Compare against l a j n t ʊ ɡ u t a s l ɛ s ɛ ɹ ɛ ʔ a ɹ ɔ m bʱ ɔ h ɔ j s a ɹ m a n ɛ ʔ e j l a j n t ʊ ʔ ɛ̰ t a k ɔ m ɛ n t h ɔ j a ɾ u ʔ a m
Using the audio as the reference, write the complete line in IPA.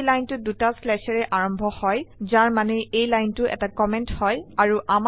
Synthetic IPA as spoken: l a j n t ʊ d u t a s l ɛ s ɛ ɹ ɛ ʔ a ɹ ɔ m bʱ ɔ h ɔ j z a ɹ m a n ɛ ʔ e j l a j n t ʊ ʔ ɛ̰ t a k ɔ m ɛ n t h ɔ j a ɹ u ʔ a m